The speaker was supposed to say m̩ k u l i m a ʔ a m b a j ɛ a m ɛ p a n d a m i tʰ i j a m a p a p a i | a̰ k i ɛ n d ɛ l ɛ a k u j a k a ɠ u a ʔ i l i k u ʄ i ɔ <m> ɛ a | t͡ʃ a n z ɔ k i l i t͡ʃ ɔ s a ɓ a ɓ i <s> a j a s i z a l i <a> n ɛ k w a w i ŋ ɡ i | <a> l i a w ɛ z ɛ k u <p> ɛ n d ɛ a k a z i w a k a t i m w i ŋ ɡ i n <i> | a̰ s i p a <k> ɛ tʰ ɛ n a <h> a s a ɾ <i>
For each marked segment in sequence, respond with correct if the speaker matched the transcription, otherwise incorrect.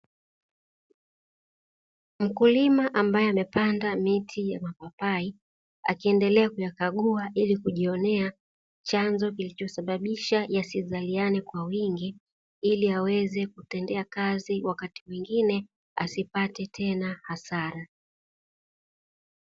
incorrect: n, incorrect: ʃ, correct, incorrect: i, incorrect: t, incorrect: ɛ, incorrect: t, correct, incorrect: a

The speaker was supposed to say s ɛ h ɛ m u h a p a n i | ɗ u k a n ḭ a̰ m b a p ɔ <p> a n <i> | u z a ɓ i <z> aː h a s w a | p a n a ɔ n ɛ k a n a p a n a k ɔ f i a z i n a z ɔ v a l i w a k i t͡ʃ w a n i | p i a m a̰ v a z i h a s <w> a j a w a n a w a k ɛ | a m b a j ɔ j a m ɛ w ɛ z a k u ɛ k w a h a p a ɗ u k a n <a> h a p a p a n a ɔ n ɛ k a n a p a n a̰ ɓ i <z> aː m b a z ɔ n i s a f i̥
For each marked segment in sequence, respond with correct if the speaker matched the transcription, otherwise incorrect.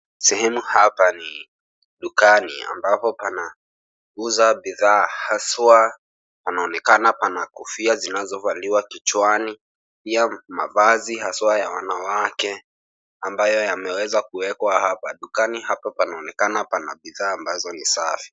correct, incorrect: a, incorrect: ð, correct, incorrect: i, incorrect: ð

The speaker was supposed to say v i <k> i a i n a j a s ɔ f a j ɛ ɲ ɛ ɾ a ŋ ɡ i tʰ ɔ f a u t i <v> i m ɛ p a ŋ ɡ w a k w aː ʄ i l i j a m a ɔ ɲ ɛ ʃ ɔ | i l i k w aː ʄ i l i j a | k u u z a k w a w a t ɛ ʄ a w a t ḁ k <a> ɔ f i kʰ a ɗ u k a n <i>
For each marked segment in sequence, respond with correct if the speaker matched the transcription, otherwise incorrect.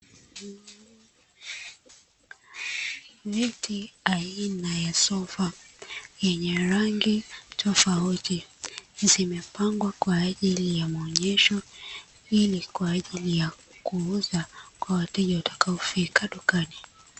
incorrect: t, incorrect: z, correct, correct

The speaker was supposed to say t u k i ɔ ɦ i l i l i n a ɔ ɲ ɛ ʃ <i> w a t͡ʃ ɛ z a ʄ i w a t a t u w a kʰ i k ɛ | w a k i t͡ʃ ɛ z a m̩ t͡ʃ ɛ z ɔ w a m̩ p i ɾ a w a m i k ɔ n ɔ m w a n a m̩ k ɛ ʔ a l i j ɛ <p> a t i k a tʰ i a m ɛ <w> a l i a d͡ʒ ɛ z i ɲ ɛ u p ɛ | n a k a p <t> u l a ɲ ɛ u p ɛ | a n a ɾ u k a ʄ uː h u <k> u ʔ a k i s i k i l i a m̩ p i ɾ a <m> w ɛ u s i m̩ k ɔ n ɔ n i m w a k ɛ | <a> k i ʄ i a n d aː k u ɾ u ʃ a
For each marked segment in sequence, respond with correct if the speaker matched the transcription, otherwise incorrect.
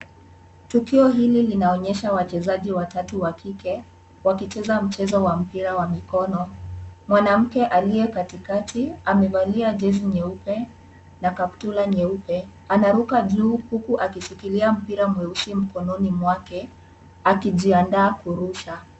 incorrect: a, incorrect: k, incorrect: v, correct, correct, correct, correct

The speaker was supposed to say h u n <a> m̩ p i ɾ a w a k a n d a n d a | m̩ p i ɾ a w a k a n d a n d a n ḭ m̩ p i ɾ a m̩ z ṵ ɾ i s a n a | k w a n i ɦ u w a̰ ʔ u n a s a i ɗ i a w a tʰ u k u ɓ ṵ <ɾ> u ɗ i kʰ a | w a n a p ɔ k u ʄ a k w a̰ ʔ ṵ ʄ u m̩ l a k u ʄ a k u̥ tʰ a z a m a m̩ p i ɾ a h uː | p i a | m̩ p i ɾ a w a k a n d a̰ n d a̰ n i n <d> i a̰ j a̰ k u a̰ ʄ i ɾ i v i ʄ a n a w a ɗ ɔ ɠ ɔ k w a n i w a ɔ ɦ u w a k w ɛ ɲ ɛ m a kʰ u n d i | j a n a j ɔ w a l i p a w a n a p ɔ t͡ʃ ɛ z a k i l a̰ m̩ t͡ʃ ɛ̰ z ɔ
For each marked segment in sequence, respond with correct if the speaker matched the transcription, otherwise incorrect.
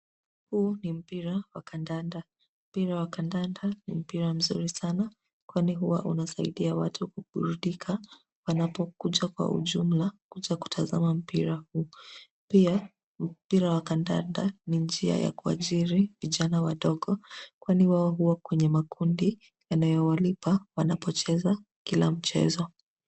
incorrect: i, correct, incorrect: d͡ʒ

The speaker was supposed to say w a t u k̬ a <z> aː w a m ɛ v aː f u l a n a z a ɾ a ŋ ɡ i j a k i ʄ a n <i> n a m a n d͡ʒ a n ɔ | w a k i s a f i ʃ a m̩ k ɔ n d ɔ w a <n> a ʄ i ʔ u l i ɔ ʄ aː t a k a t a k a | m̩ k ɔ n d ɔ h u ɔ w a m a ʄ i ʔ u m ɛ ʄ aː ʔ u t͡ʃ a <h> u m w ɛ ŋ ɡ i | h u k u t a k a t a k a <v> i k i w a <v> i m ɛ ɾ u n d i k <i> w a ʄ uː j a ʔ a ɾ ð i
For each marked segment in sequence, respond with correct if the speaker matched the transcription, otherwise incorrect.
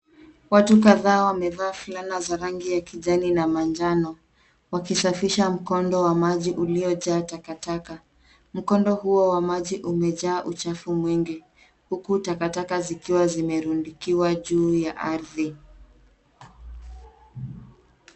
incorrect: ð, correct, incorrect: m, incorrect: f, incorrect: z, incorrect: z, correct

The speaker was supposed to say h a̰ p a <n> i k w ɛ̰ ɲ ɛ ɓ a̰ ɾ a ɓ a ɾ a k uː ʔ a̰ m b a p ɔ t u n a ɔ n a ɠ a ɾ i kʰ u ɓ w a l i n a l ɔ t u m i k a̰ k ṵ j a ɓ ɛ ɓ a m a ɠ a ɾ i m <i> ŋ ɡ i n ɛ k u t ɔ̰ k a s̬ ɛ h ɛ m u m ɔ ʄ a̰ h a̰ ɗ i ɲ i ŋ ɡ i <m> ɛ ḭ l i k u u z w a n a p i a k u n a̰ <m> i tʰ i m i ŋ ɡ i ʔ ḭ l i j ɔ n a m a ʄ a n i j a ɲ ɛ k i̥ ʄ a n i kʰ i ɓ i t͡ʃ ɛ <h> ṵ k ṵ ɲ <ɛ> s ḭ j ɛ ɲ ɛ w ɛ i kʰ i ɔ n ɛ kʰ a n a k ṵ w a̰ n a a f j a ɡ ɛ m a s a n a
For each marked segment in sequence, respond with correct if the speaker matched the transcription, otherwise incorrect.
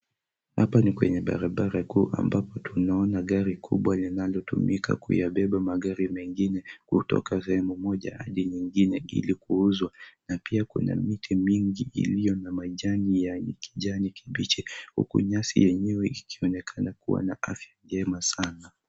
correct, incorrect: ɛ, incorrect: n, correct, correct, incorrect: a

